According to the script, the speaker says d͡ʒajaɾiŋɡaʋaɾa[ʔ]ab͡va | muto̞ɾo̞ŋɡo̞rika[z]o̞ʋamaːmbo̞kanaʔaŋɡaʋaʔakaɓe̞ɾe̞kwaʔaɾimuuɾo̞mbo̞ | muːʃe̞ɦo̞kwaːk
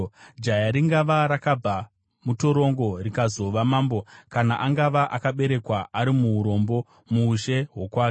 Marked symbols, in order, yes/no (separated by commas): no, yes